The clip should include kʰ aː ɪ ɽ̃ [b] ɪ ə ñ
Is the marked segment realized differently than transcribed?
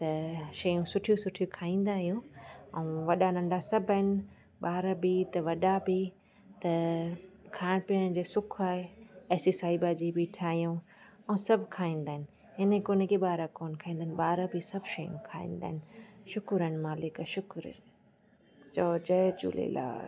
yes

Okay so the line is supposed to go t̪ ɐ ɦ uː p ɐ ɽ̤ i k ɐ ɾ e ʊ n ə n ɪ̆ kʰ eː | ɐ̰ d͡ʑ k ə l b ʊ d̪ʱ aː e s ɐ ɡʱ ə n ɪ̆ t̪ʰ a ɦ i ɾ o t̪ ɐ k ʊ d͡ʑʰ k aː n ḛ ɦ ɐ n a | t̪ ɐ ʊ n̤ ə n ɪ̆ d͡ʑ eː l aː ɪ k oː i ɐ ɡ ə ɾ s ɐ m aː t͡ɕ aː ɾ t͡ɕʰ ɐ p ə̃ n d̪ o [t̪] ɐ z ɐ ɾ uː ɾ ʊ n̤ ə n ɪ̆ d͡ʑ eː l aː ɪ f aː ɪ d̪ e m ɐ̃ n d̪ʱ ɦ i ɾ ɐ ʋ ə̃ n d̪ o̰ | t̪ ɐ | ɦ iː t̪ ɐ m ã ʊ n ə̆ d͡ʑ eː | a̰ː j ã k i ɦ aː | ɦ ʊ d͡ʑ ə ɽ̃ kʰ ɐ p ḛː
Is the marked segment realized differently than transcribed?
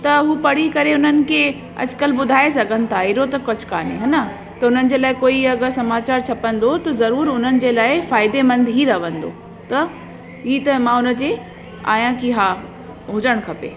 no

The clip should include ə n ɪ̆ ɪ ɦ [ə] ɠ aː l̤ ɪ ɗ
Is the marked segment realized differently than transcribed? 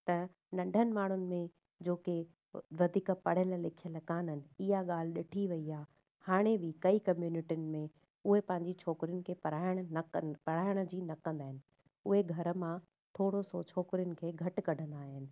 yes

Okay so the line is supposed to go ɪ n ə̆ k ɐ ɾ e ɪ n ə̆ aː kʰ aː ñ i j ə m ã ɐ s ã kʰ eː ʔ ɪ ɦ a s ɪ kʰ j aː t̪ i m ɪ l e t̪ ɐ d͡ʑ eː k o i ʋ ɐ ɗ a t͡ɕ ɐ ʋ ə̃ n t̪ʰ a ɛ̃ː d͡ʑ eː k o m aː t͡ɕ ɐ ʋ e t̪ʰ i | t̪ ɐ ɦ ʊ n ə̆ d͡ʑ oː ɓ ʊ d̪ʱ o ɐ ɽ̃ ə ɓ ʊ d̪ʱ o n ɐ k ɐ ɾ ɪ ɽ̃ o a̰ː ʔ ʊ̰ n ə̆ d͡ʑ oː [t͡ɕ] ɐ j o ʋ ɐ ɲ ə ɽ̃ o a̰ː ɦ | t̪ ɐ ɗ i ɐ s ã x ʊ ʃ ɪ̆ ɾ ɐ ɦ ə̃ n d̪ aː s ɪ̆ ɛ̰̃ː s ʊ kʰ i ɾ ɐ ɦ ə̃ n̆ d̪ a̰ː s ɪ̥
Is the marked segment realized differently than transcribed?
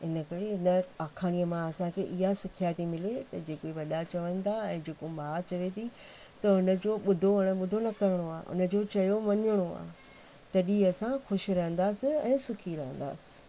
no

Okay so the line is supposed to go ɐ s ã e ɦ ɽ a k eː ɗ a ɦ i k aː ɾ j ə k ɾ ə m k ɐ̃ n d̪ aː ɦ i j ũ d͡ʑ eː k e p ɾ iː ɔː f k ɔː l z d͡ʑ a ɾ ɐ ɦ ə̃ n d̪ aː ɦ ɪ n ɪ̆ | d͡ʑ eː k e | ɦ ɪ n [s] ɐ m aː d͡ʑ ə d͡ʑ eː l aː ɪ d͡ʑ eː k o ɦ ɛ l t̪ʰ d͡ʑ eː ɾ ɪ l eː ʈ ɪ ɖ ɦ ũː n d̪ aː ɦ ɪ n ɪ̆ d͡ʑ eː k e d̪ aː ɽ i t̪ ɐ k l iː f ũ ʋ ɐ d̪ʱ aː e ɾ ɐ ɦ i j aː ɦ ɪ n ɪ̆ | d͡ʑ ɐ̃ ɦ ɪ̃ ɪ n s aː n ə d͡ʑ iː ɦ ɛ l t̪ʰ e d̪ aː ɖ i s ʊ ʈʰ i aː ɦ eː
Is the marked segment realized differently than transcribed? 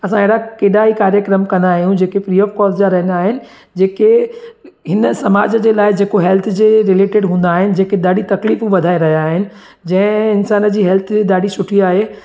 no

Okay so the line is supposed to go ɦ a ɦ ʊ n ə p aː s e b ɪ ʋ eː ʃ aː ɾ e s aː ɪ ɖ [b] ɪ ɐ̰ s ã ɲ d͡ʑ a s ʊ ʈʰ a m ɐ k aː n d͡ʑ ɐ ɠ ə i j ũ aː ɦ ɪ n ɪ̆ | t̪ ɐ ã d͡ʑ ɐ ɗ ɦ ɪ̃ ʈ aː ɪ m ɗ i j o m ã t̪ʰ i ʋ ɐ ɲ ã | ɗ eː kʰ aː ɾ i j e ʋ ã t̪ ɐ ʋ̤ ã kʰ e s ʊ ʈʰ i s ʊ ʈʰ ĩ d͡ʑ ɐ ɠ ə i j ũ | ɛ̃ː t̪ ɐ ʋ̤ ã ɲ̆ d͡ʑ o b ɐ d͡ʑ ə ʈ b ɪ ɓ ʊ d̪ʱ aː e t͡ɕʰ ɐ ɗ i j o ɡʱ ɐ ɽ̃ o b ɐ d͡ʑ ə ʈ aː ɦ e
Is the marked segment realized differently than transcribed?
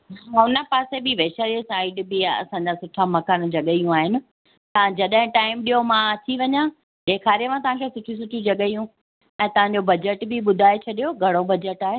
no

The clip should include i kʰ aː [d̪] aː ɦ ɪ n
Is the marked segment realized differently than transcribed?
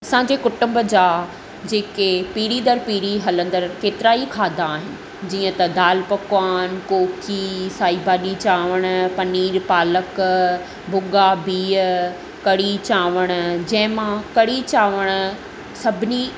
no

